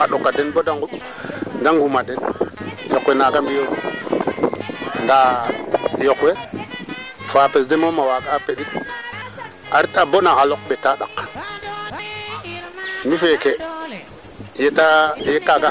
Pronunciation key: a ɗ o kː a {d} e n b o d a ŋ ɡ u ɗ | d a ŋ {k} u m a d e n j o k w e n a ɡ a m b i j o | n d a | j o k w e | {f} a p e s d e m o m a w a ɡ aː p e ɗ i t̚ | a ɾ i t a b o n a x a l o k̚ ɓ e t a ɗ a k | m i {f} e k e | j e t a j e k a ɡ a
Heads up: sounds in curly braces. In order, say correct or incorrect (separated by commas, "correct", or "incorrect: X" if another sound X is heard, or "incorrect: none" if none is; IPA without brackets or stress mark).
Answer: correct, incorrect: ɡ, correct, correct